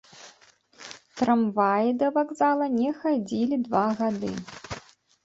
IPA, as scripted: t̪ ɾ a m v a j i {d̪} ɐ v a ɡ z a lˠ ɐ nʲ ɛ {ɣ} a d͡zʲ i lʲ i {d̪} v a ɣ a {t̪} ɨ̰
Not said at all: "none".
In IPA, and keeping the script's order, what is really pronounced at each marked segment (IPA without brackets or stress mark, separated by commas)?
d̪, x, d̪, d̪